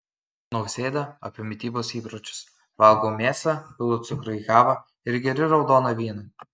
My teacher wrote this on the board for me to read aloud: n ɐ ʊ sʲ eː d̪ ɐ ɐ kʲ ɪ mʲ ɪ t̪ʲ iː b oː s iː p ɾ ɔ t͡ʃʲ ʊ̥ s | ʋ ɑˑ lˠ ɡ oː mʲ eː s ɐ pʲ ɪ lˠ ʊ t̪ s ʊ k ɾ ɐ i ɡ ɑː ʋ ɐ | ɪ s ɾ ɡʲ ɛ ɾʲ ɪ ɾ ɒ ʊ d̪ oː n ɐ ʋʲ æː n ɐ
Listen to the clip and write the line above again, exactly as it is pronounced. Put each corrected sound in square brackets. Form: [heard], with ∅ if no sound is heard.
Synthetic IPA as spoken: n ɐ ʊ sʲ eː d̪ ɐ ɐ [pʲ] ɪ mʲ ɪ t̪ʲ iː b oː s iː p ɾ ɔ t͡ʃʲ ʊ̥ s | ʋ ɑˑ lˠ ɡ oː mʲ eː s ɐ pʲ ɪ lˠ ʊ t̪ s ʊ k ɾ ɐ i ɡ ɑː ʋ ɐ | ɪ [∅] ɾ ɡʲ ɛ ɾʲ ɪ ɾ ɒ ʊ d̪ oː n ɐ ʋʲ [iː] n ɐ